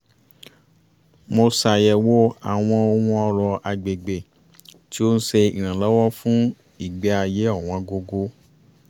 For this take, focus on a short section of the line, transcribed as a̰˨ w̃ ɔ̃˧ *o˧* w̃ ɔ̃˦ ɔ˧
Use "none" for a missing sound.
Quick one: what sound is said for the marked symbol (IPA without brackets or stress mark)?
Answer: o˧